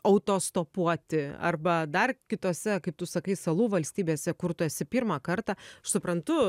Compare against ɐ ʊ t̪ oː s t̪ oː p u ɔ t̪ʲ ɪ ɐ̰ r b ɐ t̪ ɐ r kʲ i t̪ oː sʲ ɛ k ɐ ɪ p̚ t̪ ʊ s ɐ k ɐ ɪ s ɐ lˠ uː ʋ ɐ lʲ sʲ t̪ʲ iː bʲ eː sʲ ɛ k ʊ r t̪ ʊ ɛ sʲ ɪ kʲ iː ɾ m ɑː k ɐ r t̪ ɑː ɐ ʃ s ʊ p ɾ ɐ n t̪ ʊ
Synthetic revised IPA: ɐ ʊ t̪ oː s t̪ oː p u ɔ t̪ʲ ɪ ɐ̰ r b ɐ d̪ ɐ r kʲ ɪ t̪ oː sʲ ɛ k ɐ ɪ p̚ t̪ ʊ s ɐ k ɐ ɪ s ɐ lˠ uː ʋ ɐ lʲ sʲ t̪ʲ iː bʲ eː sʲ ɛ k ʊ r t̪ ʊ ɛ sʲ ɪ pʲ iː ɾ m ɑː k ɐ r t̪ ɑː ɐ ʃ s ʊ p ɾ ɐ n t̪ ʊ